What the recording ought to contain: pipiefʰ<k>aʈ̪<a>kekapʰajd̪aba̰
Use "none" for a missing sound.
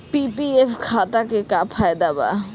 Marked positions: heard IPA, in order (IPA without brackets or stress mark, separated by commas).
kʰ, a